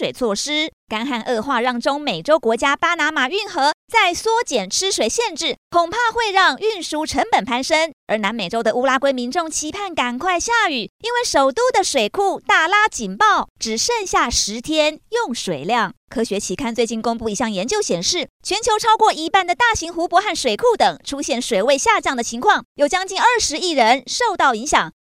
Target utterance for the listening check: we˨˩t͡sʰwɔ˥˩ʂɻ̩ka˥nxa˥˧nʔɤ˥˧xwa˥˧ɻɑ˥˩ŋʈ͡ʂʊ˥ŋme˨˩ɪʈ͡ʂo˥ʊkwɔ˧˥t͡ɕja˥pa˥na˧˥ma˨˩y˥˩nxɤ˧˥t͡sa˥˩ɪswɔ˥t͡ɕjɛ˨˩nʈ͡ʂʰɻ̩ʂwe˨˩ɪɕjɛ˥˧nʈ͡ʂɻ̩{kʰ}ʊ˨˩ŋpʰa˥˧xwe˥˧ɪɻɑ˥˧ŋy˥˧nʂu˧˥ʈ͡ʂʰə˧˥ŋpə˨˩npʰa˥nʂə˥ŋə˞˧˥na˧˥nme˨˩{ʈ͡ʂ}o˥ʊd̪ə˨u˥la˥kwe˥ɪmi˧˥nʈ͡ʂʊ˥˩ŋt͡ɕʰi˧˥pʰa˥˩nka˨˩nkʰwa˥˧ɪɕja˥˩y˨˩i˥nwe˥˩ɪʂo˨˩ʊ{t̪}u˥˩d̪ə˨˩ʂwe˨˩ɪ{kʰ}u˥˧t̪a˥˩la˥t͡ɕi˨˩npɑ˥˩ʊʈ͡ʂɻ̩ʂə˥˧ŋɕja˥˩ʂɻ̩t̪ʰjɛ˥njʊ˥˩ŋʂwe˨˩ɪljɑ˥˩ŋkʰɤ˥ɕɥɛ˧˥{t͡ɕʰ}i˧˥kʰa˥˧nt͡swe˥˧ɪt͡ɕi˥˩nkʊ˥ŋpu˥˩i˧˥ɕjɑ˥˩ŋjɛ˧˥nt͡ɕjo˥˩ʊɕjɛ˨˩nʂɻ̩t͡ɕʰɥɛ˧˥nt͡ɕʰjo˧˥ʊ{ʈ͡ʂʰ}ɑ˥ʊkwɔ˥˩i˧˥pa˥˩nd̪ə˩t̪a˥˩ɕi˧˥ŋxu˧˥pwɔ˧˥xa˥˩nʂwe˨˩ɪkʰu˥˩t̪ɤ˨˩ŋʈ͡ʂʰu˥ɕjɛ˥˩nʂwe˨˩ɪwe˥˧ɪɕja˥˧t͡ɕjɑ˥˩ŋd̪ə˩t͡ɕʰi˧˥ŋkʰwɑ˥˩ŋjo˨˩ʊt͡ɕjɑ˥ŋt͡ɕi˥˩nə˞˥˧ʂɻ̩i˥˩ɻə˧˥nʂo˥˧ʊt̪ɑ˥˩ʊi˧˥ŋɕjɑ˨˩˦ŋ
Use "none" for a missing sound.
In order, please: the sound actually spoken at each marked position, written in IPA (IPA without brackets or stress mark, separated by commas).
kʰ, ʈ͡ʂ, t̪, kʰ, t͡ɕʰ, ʈ͡ʂʰ